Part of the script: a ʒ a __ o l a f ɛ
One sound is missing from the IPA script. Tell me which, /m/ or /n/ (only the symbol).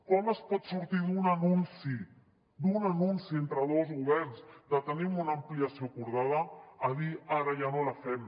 n